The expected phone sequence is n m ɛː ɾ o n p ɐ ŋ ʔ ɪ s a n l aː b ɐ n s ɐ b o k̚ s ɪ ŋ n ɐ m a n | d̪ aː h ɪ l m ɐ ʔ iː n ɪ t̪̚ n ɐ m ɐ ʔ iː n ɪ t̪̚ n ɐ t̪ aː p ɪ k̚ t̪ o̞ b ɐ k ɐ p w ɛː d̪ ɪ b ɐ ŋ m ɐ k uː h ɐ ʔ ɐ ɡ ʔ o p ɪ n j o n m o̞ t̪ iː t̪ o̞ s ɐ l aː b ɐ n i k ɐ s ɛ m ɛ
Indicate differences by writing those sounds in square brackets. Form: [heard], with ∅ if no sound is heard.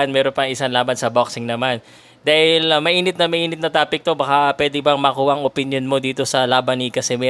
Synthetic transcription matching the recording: n m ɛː ɾ o n p ɐ ŋ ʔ ɪ s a n l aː b ɐ n s ɐ b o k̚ s ɪ ŋ n ɐ m a n | d̪ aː h ɪ l m ɐ ʔ iː n ɪ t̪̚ n ɐ m ɐ ʔ iː n ɪ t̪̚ n ɐ t̪ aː p ɪ k̚ t̪ o̞ b ɐ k [a] p w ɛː d̪ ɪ b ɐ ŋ m ɐ k uː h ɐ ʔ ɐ [ŋ] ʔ o p ɪ n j o n m o̞ [d̪] iː t̪ o̞ s ɐ l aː b ɐ n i k ɐ s ɛ m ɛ